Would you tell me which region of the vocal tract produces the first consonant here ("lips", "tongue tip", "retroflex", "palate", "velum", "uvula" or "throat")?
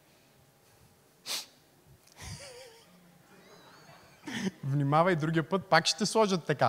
lips